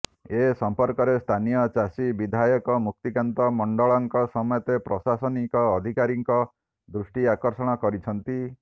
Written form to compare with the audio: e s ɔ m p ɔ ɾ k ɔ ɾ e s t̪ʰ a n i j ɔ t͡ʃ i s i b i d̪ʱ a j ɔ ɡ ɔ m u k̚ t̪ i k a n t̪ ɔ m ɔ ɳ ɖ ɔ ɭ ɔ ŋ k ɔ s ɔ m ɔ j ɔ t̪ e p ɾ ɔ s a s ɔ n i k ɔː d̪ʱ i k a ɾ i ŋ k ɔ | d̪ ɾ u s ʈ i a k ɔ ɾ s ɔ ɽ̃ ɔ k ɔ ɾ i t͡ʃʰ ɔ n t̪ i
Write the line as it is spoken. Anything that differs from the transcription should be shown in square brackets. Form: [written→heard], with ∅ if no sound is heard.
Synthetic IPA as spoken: e s ɔ m p ɔ ɾ k ɔ ɾ e s t̪ʰ a n i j ɔ t͡ʃ [i→a] s i b i d̪ʱ a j ɔ [ɡ→k] ɔ m u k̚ t̪ i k a n t̪ ɔ m ɔ ɳ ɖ ɔ ɭ ɔ ŋ k ɔ s ɔ m ɔ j ɔ t̪ e p ɾ ɔ s a s ɔ n i k ɔː d̪ʱ i k a ɾ i ŋ k ɔ | d̪ ɾ u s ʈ i a k ɔ ɾ s ɔ ɽ̃ ɔ k ɔ ɾ i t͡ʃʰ ɔ n t̪ i